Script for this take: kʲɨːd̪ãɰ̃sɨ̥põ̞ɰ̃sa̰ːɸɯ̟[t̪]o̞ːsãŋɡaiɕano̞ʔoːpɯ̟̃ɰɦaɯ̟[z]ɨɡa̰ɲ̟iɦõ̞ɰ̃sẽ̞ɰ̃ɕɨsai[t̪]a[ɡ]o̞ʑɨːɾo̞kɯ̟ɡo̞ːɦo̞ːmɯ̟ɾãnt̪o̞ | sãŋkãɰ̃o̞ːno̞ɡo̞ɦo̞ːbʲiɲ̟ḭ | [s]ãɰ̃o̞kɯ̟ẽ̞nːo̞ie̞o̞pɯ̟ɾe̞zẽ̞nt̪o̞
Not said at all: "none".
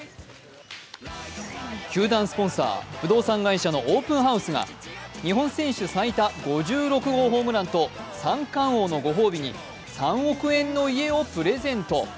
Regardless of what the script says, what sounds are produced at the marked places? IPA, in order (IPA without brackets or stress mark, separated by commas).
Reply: d̪, s, t̪, ɡ, s